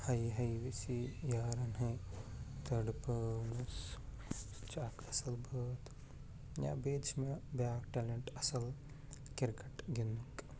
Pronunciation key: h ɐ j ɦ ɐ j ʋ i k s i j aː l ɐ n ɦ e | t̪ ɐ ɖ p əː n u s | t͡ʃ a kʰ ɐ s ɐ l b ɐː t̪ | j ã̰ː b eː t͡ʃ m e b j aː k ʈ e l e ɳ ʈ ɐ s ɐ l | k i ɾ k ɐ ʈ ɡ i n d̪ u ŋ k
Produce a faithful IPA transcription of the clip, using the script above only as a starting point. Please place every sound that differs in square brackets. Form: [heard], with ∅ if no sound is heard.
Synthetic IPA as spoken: h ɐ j ɦ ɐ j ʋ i [∅] s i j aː [ɾ] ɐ n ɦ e | t̪ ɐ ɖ p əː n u s | t͡ʃ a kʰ ɐ s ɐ l b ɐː t̪ | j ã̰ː b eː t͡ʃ m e b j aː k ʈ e l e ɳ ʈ ɐ s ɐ l | k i ɾ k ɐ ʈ ɡ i n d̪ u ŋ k